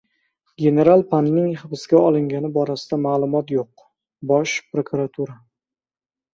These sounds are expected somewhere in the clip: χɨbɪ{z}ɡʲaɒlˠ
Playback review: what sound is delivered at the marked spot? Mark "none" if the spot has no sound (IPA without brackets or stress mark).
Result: s